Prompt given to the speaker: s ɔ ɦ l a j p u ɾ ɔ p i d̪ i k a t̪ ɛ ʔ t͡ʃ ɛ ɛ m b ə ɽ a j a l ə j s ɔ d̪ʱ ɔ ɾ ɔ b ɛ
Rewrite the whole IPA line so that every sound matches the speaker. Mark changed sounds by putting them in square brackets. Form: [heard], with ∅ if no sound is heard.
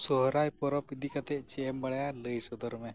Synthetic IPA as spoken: s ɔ ɦ [ɾ] a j p [ɔ] ɾ ɔ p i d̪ i k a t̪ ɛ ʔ t͡ʃ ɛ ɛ m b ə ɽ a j a l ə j s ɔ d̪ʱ ɔ ɾ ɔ [m] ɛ